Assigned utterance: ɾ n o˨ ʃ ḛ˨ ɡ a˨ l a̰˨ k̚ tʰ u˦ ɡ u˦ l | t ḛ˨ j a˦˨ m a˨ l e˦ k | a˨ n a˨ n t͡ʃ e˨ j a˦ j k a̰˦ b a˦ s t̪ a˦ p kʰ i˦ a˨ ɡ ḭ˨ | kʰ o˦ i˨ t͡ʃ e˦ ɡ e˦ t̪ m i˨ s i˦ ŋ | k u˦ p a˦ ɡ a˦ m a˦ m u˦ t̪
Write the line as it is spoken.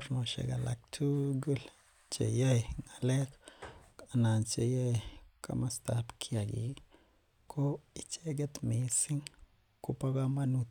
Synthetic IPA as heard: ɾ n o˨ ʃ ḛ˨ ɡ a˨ l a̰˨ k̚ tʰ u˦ ɡ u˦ l | t͡ʃ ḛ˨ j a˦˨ ŋ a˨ l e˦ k | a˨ n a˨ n t͡ʃ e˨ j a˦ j k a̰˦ m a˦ s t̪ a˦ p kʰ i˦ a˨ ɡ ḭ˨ | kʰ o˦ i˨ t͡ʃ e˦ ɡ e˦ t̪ m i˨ s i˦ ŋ | k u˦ p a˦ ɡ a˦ m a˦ n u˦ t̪